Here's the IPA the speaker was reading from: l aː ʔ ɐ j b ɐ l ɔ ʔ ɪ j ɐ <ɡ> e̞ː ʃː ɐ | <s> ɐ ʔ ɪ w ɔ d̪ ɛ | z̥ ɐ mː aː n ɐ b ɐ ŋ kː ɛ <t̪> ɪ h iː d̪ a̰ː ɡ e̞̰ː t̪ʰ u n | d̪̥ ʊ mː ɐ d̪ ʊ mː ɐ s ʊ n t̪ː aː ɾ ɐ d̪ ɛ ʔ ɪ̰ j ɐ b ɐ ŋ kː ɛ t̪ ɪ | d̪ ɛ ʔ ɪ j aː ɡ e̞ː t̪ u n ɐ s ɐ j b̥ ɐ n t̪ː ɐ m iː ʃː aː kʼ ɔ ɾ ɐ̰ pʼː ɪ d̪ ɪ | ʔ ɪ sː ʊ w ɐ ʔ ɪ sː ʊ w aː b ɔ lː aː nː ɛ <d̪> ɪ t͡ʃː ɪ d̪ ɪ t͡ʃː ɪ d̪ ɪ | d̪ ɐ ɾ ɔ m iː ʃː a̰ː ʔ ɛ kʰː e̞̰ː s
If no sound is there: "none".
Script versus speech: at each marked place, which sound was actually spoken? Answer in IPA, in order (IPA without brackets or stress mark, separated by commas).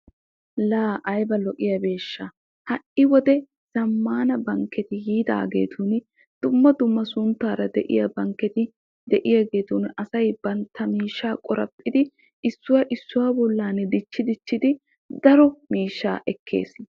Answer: b, h, t̪, d̪